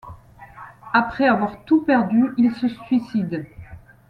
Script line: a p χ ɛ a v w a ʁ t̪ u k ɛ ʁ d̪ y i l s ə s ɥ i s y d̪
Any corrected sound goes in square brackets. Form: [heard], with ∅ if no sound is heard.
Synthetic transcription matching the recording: a p χ ɛ a v w a ʁ t̪ u [p] ɛ ʁ d̪ y i l s ə s ɥ i s [i] d̪